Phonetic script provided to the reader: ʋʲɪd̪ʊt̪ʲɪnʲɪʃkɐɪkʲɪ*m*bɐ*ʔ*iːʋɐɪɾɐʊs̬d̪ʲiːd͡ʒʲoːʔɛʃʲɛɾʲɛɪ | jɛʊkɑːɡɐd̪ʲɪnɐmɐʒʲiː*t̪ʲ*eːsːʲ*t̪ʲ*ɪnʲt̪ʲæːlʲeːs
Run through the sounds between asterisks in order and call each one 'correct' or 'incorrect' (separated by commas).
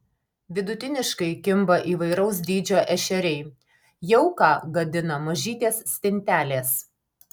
correct, correct, correct, correct